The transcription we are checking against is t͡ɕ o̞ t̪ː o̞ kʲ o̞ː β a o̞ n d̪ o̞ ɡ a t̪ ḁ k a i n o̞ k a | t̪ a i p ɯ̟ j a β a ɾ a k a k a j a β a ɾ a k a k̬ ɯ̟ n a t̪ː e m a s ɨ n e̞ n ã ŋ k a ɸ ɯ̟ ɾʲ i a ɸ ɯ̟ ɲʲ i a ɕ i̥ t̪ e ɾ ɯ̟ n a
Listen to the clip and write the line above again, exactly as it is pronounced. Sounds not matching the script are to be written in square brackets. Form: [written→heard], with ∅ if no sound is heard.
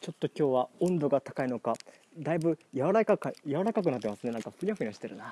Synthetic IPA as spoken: t͡ɕ o̞ t̪ː o̞ kʲ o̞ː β a [o̞→õ̞] n d̪ o̞ ɡ a t̪ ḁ k a i n o̞ k a | [t̪→d̪] a i [p→b] ɯ̟ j a β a ɾ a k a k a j a β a ɾ a k a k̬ ɯ̟ n a t̪ː e m a s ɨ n e̞ n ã ŋ k a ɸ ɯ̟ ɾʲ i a ɸ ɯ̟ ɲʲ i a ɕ i̥ t̪ e ɾ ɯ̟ n a